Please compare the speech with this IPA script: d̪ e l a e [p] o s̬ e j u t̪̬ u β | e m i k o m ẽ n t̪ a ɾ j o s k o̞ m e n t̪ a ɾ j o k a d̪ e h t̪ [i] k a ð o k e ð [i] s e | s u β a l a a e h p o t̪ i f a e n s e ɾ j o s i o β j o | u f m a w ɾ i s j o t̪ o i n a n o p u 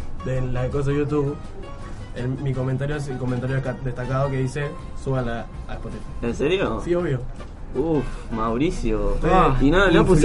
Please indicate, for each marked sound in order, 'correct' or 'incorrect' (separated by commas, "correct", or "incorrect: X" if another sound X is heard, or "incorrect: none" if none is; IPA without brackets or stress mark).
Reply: incorrect: k, incorrect: a, correct